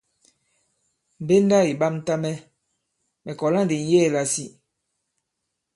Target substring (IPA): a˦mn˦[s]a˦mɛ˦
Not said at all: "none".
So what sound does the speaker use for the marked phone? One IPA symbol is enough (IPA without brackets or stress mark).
t